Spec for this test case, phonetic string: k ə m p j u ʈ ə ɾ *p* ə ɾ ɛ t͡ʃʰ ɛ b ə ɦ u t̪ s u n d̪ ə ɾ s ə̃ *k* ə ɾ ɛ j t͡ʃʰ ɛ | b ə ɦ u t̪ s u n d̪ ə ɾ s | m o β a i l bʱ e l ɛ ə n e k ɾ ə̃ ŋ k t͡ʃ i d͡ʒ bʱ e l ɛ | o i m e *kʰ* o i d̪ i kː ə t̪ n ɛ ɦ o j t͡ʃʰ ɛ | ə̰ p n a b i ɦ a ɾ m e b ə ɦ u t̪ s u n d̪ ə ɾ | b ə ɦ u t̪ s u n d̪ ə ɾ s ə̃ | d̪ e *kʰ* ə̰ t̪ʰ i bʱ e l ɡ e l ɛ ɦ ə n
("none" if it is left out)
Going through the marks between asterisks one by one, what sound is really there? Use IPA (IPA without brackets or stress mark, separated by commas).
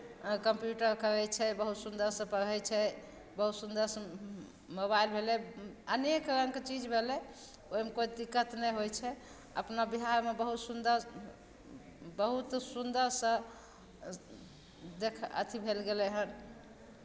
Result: k, p, k, kʰ